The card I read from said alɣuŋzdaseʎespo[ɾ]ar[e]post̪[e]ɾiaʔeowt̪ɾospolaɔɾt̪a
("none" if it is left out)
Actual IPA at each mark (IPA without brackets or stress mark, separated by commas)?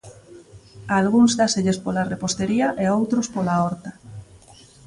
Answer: l, e, e